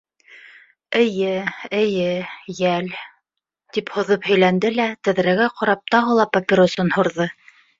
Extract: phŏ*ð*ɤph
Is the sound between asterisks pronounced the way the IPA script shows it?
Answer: yes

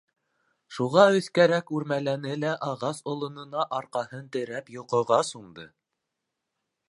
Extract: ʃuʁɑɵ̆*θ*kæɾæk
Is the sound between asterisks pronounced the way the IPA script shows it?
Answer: yes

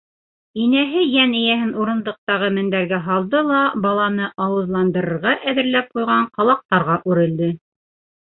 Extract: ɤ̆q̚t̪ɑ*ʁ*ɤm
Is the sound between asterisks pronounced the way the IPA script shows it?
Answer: yes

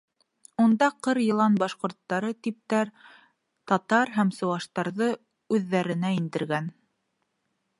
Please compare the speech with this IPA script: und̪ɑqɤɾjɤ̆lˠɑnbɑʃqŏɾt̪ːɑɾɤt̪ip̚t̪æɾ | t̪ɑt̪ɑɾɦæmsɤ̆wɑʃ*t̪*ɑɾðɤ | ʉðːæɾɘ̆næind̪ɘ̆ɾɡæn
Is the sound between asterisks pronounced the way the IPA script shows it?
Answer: yes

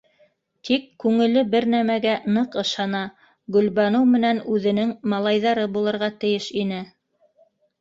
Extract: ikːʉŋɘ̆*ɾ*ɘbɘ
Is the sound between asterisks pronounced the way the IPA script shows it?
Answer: no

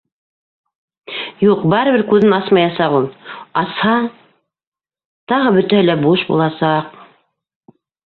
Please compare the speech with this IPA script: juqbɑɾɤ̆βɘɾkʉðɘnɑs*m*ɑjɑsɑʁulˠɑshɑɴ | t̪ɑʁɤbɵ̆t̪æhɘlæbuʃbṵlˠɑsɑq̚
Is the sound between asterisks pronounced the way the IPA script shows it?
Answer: yes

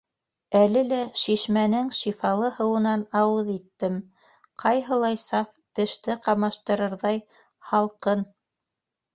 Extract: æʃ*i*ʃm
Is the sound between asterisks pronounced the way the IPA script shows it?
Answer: yes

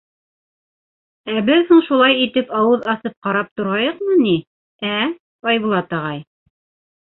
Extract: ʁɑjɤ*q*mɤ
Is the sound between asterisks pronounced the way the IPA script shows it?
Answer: yes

